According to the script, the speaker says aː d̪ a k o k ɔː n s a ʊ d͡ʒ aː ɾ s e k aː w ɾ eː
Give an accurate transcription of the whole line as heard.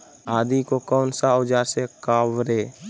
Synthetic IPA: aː d̪ i k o k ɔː n s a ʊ d͡ʒ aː ɾ s e k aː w ɾ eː